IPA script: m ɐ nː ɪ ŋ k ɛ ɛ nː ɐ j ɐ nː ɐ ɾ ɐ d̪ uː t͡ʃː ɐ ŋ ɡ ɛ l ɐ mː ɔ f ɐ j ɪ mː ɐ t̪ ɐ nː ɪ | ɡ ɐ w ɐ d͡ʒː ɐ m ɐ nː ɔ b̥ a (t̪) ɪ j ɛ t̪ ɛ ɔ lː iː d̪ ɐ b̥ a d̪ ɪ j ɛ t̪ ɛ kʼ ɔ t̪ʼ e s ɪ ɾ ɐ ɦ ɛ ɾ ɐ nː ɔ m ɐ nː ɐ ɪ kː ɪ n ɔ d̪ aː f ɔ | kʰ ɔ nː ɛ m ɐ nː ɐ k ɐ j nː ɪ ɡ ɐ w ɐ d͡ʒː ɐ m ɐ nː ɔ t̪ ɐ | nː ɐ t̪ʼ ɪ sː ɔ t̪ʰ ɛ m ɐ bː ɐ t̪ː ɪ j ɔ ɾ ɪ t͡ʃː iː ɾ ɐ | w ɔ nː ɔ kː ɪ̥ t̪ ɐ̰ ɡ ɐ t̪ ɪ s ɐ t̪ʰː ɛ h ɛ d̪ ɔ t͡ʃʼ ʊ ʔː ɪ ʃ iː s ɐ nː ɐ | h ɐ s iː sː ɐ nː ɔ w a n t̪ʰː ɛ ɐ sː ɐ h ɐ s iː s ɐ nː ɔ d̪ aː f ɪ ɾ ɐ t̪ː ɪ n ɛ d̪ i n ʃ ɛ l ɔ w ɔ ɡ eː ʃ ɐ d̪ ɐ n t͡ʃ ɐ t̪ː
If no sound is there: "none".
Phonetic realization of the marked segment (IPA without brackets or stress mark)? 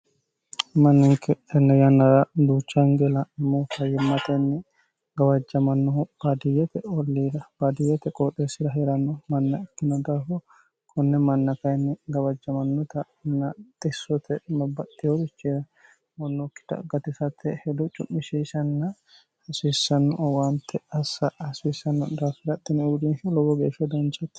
d̪